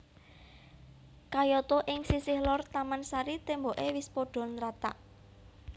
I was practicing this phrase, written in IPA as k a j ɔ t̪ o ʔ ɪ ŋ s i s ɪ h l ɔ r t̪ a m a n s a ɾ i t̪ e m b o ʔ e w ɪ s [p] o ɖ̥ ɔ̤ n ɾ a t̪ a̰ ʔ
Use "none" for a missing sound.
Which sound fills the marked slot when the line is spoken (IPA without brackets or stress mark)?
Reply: p